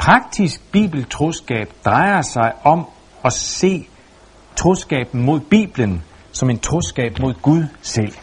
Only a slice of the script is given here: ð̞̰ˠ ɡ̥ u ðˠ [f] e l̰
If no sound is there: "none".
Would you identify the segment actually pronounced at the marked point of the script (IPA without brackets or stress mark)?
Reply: s